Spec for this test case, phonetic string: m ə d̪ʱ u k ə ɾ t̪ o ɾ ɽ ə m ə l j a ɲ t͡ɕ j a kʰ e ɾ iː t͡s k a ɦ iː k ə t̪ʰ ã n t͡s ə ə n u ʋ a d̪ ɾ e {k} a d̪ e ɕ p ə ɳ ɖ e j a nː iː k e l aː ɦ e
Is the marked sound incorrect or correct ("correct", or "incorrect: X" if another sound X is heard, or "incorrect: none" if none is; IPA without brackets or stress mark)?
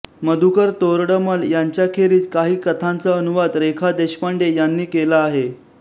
incorrect: kʰ